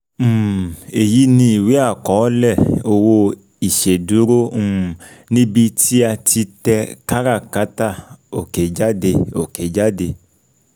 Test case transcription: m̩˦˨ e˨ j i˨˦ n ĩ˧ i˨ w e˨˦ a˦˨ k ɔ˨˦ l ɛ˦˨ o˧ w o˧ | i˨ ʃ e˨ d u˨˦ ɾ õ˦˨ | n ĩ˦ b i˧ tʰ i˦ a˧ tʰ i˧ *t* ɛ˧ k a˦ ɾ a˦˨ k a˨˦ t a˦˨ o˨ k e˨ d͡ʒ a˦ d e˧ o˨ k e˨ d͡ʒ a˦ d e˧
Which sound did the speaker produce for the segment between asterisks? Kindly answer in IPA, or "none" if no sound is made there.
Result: t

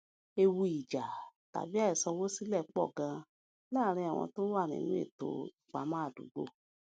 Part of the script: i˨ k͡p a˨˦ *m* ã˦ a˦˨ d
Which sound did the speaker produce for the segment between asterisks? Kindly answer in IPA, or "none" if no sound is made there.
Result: m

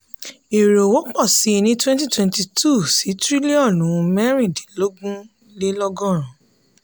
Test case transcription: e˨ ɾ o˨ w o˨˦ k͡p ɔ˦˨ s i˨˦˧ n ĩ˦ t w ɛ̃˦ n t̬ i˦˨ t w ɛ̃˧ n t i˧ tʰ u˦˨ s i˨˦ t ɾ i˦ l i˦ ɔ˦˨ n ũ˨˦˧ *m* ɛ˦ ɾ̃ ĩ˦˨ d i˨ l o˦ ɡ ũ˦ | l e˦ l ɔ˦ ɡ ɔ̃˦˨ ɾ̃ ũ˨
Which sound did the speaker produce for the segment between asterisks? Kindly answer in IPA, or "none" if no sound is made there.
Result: m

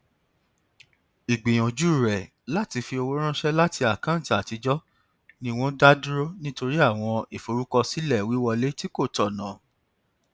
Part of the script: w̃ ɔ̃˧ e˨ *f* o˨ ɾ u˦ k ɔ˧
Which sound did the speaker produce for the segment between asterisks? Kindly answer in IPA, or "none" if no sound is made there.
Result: f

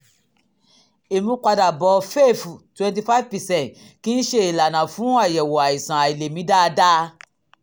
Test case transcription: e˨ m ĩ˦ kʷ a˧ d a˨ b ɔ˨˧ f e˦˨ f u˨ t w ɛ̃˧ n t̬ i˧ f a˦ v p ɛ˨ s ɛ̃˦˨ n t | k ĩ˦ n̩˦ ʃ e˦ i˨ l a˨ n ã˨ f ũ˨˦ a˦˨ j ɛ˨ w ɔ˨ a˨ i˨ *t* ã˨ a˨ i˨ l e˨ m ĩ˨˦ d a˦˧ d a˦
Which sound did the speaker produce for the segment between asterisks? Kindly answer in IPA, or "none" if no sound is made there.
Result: s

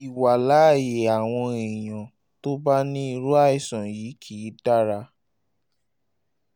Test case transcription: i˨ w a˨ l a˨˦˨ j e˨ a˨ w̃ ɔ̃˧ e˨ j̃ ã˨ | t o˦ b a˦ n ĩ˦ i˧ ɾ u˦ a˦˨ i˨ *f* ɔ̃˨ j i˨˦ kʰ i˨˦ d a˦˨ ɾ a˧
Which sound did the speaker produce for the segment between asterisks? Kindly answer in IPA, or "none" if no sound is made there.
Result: s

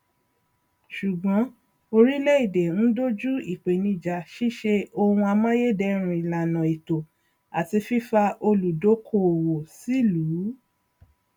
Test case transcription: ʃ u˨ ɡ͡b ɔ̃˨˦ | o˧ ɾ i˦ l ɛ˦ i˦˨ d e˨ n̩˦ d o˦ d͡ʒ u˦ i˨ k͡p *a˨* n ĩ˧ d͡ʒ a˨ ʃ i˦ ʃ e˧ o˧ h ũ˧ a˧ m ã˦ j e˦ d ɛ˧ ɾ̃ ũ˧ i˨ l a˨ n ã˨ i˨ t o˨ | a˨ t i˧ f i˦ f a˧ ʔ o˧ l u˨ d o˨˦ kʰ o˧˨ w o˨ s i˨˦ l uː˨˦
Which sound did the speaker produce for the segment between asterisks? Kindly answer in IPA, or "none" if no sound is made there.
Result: e˨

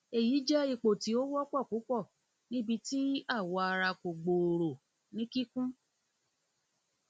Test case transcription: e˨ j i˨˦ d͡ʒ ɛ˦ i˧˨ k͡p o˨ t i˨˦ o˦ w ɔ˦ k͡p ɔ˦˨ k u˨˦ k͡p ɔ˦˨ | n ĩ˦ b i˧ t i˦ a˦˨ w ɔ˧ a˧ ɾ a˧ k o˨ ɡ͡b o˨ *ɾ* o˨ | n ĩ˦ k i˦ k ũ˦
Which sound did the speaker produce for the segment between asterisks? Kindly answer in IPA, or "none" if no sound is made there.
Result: ɾ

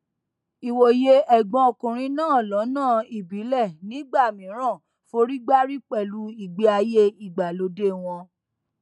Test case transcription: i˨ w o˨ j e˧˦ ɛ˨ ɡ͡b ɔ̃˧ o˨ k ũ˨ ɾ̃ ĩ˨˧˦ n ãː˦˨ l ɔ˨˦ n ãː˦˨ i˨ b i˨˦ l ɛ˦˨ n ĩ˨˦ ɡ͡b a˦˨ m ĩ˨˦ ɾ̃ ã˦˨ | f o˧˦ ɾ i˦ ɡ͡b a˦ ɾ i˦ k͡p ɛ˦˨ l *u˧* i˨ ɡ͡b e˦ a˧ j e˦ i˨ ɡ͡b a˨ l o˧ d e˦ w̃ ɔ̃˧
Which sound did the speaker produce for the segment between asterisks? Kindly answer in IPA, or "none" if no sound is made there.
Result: u˧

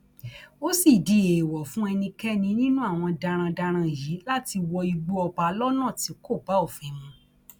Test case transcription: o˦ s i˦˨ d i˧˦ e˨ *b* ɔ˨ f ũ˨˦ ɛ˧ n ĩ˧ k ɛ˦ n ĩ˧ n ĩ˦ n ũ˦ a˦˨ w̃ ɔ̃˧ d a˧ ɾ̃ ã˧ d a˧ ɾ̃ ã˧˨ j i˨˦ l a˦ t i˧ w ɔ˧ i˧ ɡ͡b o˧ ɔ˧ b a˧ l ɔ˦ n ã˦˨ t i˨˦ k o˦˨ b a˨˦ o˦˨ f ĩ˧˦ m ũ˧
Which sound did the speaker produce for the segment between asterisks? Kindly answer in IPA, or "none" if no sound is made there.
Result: w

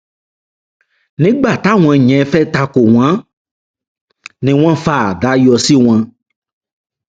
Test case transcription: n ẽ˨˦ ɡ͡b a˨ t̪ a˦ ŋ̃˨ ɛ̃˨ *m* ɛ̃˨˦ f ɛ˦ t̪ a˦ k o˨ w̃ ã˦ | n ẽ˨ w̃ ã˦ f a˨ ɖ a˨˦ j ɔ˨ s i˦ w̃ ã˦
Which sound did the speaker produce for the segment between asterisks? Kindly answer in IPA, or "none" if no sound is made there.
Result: ɲ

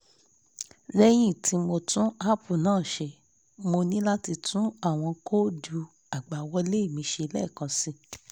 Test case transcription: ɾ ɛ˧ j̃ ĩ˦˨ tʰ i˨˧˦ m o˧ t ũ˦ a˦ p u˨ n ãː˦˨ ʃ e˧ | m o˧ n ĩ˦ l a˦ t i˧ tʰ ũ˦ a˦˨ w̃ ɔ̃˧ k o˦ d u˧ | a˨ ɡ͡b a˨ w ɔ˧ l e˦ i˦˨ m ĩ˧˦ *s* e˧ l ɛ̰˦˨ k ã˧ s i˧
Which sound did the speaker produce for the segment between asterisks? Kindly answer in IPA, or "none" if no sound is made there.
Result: ʃ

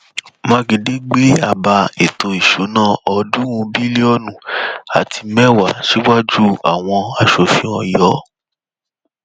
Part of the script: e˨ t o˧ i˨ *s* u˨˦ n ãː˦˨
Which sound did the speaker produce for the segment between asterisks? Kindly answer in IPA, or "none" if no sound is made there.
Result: ʃ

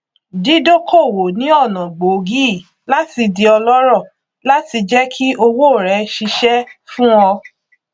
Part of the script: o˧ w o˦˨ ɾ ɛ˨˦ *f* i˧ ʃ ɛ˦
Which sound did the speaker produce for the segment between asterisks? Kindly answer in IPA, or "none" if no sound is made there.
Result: ʃ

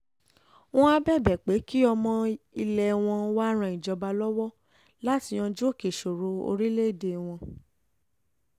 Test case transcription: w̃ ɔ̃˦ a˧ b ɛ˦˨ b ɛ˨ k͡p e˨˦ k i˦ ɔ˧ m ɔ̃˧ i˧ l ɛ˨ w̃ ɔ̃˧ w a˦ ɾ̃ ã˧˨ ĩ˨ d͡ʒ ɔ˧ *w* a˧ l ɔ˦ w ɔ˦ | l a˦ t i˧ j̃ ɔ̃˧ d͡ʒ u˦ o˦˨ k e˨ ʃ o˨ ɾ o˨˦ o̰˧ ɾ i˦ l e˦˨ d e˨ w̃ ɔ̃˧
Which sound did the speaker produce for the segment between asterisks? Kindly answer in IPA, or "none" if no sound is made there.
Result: b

